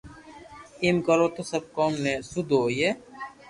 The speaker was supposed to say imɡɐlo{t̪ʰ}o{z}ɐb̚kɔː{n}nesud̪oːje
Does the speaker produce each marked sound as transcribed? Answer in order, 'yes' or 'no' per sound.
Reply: no, no, no

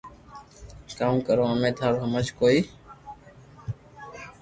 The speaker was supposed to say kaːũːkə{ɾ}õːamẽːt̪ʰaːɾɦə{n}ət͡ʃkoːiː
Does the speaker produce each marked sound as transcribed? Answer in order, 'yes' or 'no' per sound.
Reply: yes, no

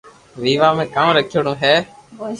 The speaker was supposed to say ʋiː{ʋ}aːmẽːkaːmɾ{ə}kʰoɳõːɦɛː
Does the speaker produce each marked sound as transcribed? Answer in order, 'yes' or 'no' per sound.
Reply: yes, yes

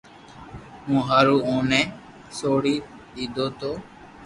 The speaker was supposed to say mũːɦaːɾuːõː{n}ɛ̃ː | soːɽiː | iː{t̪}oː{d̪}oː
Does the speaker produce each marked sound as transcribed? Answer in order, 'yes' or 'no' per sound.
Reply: yes, no, no

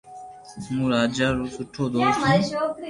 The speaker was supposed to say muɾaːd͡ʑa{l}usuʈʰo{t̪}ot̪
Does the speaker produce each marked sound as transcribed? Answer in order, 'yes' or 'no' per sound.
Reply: no, no

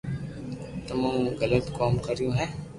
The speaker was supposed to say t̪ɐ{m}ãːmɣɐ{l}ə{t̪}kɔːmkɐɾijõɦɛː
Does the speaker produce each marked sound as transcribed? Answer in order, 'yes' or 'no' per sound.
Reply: yes, yes, yes

